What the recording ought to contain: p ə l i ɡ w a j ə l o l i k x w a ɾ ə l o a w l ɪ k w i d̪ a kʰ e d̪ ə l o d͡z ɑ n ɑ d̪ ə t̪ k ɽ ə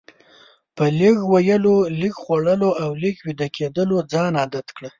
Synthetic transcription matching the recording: p ə l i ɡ w a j ə l o l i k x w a ɽ ə l o a w l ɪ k w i d̪ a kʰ e d̪ ə l o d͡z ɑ n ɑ d̪ a t̪ k ɽ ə